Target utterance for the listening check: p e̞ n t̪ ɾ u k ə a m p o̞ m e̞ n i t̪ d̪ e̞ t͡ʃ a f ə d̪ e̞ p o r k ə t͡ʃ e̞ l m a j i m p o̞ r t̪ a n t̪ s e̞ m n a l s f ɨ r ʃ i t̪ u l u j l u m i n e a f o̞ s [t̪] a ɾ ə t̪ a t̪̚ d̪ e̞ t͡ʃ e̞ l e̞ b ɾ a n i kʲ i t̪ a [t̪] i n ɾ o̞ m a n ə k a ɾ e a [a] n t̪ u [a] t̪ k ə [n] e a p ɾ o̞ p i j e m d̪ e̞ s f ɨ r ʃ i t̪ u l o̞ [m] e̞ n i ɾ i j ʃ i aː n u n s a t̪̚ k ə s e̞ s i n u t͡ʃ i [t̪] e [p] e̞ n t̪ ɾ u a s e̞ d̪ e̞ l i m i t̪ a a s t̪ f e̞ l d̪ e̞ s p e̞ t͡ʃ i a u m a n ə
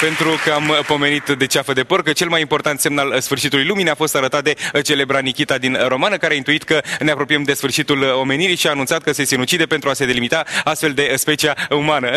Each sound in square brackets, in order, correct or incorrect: correct, incorrect, incorrect, incorrect, correct, correct, incorrect, correct

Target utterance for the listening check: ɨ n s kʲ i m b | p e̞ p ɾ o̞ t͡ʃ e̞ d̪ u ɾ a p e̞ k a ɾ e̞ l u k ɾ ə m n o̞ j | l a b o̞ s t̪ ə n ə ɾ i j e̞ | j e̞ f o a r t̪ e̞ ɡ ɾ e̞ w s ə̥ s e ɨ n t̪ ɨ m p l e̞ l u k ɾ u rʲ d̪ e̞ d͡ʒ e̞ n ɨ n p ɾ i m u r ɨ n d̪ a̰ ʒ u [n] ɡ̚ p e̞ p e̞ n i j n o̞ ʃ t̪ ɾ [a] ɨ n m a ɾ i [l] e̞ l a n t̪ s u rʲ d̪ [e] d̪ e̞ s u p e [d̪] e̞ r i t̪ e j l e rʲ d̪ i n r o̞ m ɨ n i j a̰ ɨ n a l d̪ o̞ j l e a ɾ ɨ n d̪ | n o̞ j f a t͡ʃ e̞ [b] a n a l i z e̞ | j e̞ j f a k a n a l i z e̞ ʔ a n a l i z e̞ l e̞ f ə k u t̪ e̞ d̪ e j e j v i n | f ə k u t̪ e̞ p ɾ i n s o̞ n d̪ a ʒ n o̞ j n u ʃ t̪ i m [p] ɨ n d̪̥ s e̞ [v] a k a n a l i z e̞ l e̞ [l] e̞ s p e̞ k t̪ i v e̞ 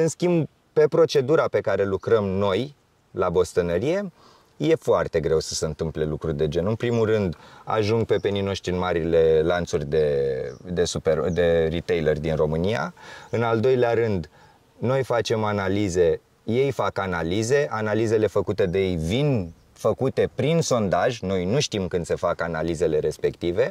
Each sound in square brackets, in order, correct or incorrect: incorrect, incorrect, correct, correct, correct, incorrect, incorrect, incorrect, incorrect

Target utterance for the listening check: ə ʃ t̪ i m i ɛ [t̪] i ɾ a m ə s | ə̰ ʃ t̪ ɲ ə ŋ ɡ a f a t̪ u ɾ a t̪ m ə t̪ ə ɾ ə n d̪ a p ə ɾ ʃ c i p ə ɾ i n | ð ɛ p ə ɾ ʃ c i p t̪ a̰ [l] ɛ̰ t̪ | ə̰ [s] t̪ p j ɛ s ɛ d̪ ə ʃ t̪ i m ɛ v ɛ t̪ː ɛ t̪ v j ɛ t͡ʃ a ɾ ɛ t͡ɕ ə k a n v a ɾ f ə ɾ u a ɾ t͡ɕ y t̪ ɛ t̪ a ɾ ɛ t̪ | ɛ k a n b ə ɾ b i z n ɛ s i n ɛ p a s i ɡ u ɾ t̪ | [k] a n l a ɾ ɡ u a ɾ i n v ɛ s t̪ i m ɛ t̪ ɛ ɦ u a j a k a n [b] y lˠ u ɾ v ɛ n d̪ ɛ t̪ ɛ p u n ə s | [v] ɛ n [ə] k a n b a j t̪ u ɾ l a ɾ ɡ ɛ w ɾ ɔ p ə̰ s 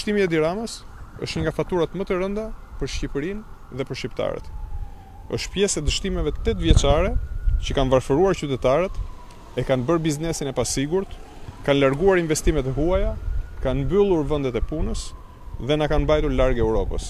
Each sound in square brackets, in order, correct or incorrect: incorrect, incorrect, incorrect, correct, correct, incorrect, incorrect

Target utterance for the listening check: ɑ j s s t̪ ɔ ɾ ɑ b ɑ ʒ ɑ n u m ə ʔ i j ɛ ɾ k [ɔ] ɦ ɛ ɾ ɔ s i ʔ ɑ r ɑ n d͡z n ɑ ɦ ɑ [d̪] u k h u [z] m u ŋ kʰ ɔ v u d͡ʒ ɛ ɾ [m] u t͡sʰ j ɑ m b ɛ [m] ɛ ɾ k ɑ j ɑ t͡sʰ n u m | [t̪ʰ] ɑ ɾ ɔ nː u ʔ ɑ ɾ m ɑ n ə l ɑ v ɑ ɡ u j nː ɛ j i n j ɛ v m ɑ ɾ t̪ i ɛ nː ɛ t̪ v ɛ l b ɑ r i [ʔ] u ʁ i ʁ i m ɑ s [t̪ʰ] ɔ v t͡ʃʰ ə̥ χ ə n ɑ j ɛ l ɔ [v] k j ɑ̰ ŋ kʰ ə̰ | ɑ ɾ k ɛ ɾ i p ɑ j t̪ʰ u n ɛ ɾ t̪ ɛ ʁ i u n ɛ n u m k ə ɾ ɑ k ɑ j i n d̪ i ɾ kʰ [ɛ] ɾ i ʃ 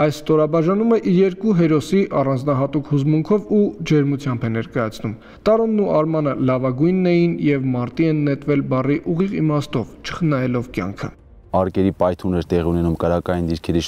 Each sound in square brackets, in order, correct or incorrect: incorrect, incorrect, correct, correct, incorrect, incorrect, correct, incorrect, correct, correct

